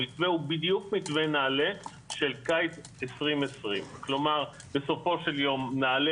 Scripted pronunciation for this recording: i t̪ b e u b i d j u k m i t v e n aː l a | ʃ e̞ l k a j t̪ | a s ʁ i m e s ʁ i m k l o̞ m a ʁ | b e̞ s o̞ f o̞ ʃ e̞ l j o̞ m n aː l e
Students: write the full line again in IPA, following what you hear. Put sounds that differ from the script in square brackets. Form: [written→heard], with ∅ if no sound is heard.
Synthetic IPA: i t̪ [b→v] e u b i d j u k m i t v e n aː l [a→e] | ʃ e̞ l k a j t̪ | [a→e] s ʁ i m e s ʁ i m k l o̞ m a ʁ | b e̞ s o̞ f o̞ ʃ e̞ l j o̞ m n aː l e